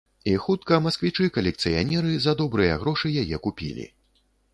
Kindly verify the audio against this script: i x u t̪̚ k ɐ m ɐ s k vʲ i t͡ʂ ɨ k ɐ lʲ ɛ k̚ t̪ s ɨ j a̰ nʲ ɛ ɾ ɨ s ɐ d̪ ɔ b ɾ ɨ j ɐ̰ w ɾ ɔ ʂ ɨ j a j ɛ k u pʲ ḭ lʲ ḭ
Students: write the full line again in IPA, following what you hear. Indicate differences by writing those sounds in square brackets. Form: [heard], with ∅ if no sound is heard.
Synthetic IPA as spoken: i x u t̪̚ k ɐ m ɐ s k vʲ i t͡ʂ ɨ k ɐ lʲ ɛ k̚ t̪ s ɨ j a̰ nʲ ɛ ɾ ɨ [z] ɐ d̪ ɔ b ɾ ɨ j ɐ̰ [ɣ] ɾ ɔ ʂ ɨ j a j ɛ k u pʲ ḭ lʲ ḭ